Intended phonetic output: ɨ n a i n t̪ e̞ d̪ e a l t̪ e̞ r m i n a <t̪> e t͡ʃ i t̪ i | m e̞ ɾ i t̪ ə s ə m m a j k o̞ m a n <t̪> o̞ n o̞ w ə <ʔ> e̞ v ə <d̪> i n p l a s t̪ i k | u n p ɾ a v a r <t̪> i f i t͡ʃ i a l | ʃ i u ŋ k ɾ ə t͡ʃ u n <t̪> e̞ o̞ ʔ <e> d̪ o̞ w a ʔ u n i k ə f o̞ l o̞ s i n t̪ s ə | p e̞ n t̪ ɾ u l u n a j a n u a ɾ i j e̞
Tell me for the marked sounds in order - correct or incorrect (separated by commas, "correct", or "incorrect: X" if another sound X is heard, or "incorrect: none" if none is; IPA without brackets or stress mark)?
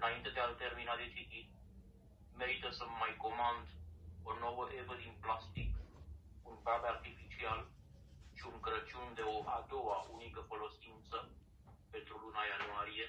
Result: incorrect: d̪, incorrect: d̪, correct, correct, correct, incorrect: d̪, incorrect: a